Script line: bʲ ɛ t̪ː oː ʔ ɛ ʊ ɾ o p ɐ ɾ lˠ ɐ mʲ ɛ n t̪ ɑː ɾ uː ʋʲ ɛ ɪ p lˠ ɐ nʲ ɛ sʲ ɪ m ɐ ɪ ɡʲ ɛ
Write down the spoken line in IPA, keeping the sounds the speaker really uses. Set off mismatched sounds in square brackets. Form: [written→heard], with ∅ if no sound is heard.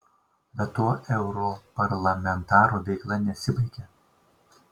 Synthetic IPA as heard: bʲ ɛ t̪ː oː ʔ ɛ ʊ ɾ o p ɐ ɾ lˠ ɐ mʲ ɛ n t̪ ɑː ɾ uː ʋʲ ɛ ɪ [p→k] lˠ ɐ nʲ ɛ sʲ ɪ [m→b] ɐ ɪ [ɡʲ→kʲ] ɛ